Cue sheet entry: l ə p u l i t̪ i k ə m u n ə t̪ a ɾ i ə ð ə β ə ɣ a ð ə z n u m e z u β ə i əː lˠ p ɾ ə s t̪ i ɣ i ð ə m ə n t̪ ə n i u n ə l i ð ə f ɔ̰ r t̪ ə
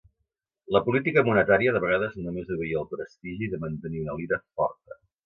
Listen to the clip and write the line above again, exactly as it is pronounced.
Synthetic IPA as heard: l ə p u l i t̪ i k ə m u n ə t̪ a ɾ i ə ð ə β ə ɣ a ð ə z n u m e z u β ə i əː lˠ p ɾ ə s t̪ i ʒ i ð ə m ə n t̪ ə n i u n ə l i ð ə f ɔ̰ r t̪ ə